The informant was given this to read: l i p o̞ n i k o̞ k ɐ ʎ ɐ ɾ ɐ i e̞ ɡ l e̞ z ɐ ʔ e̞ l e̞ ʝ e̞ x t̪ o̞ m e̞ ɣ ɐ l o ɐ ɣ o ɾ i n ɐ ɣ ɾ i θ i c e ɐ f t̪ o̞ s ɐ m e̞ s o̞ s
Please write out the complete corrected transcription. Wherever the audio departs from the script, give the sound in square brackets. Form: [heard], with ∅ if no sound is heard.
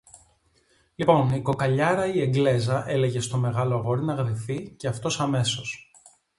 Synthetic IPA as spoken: l i p o̞ n i k o̞ k ɐ ʎ ɐ ɾ ɐ i e̞ ɡ l e̞ z ɐ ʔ e̞ l e̞ ʝ e̞ [s] t̪ o̞ m e̞ ɣ ɐ l o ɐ ɣ o ɾ i n ɐ ɣ ɾ i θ i c e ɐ f t̪ o̞ s ɐ m e̞ s o̞ s